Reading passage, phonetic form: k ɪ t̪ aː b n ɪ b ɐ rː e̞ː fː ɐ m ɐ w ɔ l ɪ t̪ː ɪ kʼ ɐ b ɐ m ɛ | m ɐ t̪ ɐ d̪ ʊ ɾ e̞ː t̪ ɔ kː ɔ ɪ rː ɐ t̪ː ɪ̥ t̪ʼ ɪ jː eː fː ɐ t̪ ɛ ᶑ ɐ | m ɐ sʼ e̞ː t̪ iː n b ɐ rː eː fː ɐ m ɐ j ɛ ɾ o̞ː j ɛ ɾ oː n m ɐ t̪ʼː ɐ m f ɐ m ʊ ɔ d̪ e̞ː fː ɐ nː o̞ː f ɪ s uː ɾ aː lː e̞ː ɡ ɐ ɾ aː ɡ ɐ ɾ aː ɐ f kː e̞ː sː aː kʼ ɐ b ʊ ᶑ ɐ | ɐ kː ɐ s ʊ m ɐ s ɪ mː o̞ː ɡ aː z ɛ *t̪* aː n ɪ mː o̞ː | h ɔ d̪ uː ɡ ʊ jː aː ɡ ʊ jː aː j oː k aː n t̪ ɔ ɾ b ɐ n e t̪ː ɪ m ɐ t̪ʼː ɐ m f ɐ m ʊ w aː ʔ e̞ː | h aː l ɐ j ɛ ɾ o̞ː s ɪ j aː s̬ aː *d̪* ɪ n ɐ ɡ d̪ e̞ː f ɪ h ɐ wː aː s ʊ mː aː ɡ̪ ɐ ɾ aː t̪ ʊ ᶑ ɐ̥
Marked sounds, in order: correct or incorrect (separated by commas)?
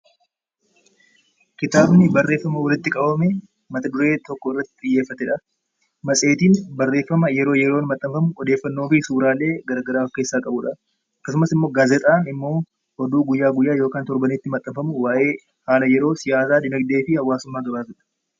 incorrect, correct